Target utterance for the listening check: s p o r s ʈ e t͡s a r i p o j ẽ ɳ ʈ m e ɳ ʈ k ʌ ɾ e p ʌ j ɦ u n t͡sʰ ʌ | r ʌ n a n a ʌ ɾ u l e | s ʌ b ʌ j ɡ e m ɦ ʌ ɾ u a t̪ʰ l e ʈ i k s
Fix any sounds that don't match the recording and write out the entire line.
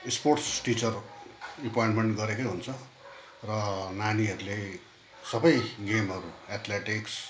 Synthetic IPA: s p o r s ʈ i t͡s ʌ r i p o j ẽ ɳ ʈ m e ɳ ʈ ɡ ʌ ɾ e k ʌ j ɦ u n t͡sʰ ʌ | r ʌ n a n i ʌ ɾ u l e | s ʌ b ʌ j ɡ e m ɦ ʌ ɾ u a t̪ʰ l e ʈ i k s